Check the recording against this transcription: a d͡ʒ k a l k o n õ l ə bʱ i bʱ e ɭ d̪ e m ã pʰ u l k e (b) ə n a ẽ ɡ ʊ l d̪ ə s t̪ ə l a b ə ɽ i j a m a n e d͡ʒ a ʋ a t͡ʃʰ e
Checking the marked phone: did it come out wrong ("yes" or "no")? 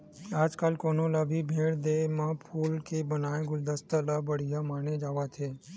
no